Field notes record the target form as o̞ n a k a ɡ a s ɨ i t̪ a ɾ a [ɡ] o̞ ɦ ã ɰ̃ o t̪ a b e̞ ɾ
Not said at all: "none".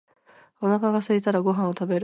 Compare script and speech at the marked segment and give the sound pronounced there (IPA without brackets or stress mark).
ɡ